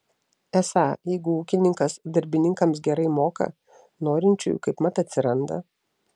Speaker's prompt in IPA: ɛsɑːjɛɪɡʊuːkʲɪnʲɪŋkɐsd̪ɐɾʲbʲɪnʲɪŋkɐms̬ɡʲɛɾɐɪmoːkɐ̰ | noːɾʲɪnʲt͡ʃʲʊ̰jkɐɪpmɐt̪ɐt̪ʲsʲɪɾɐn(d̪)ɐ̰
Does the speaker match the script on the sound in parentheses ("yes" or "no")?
yes